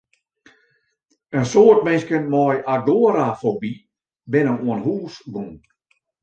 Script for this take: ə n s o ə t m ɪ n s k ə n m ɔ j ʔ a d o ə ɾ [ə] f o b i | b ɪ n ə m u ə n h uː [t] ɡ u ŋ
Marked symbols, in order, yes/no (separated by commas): no, no